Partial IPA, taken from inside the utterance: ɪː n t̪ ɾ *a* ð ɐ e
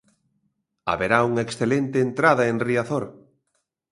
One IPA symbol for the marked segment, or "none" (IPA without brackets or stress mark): a